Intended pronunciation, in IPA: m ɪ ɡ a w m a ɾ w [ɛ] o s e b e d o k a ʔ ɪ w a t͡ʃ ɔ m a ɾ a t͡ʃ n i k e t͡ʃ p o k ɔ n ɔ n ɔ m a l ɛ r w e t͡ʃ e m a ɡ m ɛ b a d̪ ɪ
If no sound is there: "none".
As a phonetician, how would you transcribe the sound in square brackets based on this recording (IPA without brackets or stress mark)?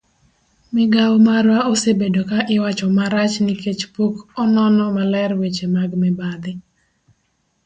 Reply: a